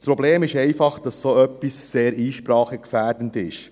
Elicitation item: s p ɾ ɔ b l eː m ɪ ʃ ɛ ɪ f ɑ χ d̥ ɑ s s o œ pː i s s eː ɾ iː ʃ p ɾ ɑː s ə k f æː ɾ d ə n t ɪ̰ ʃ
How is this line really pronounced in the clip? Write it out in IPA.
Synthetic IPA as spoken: s p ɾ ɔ b l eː m ɪ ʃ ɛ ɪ f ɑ χ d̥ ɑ s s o œ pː i s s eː ɾ iː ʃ p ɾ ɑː χ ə k f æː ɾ d ə n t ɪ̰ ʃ